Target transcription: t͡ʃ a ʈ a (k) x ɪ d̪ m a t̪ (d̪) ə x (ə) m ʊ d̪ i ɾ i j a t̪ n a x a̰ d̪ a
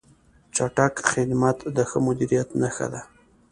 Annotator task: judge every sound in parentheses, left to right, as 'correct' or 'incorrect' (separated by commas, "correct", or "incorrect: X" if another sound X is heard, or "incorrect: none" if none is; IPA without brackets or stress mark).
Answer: correct, correct, correct